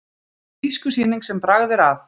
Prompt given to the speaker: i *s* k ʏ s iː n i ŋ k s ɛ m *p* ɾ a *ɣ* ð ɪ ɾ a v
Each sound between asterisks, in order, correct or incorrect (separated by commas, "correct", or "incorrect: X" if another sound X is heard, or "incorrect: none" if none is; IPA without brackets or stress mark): correct, correct, correct